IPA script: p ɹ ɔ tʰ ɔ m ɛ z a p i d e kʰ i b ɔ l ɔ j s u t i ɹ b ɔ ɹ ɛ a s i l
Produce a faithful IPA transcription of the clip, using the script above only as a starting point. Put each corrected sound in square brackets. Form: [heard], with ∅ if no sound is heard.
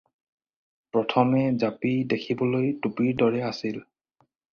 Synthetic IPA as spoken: p ɹ ɔ tʰ ɔ m ɛ z a p i d e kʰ i b ɔ l [o] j [t] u [p] i ɹ [d] ɔ ɹ ɛ a s i l